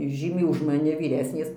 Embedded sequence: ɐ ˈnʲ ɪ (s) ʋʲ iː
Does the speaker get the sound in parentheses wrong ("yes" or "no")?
yes